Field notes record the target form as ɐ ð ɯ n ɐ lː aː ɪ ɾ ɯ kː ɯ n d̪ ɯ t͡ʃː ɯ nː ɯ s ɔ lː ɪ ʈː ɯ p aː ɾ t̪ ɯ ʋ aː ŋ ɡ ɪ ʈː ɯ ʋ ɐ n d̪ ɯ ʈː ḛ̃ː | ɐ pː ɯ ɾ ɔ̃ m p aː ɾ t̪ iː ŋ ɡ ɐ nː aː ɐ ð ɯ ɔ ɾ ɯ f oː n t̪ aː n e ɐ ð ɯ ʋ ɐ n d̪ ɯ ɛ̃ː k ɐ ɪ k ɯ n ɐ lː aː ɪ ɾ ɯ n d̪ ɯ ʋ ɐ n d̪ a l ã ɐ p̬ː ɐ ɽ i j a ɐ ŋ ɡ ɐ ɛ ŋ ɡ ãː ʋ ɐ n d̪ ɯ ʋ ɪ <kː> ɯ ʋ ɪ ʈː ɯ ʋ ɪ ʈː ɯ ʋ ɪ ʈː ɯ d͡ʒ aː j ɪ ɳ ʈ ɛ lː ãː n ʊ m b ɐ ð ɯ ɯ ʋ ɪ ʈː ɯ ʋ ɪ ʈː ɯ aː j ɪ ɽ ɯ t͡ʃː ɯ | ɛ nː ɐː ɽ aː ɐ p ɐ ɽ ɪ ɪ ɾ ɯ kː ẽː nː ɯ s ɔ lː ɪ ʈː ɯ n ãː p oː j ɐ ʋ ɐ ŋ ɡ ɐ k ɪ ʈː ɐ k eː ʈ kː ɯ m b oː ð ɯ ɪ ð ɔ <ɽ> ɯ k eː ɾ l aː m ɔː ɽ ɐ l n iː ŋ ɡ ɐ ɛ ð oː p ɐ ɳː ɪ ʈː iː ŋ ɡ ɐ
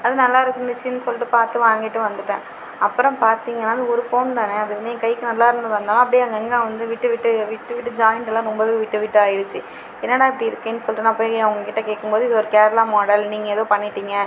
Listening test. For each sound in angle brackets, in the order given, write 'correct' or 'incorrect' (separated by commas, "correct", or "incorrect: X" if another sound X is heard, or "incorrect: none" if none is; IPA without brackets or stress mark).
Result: incorrect: ʈː, incorrect: ɾ